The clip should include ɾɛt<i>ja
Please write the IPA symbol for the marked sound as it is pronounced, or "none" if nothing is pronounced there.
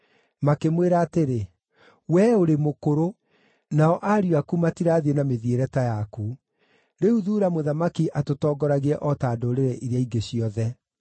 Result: a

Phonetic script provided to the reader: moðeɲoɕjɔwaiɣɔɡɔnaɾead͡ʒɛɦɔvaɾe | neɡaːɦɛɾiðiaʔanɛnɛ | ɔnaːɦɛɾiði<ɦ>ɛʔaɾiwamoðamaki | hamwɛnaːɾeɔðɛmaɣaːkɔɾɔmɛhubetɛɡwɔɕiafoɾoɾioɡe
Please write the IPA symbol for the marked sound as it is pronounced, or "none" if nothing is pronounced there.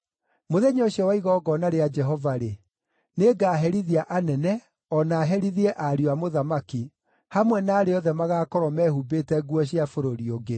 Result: none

